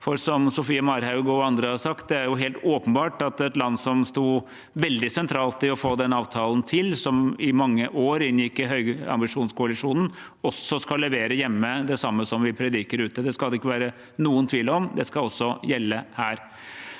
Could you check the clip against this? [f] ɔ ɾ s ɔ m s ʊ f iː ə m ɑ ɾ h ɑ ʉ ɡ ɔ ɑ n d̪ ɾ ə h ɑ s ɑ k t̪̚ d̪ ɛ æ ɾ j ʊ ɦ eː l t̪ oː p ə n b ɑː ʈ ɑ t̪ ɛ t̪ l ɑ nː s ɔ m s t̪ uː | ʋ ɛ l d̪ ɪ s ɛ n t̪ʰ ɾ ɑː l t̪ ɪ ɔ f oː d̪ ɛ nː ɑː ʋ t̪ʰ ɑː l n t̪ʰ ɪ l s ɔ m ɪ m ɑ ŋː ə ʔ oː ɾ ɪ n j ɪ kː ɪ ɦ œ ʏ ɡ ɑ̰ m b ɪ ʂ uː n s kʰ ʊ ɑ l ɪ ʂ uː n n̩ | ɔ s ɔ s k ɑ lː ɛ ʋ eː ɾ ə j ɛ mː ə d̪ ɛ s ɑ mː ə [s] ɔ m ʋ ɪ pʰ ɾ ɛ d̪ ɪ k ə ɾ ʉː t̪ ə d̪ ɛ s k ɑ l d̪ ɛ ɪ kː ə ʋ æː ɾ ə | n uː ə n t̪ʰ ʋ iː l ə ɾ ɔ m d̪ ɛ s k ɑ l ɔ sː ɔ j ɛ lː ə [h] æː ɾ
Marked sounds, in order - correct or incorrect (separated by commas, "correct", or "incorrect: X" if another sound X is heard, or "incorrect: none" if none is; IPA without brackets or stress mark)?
correct, correct, correct